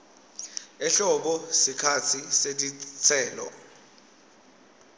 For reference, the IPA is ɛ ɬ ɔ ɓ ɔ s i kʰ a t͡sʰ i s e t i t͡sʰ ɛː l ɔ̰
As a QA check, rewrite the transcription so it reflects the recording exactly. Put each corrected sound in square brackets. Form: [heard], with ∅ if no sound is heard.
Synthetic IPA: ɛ ɬ ɔ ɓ ɔ s i kʰ a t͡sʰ i s e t i t͡sʰ ɛː l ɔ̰